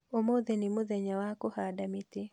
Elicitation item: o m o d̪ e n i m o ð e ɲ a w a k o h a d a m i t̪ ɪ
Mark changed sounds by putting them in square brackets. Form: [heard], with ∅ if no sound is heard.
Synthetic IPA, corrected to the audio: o m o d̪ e n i m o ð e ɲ a w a k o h a d a m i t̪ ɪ